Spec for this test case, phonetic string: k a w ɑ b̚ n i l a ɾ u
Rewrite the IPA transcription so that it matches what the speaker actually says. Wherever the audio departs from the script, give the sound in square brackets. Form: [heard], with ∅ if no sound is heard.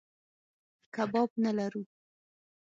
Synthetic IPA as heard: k a [b] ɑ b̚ n [a] l a ɾ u